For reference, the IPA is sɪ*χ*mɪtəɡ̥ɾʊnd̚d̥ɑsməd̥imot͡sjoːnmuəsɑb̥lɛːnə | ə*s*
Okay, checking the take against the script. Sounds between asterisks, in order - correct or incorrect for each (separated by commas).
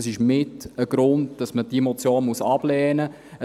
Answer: incorrect, incorrect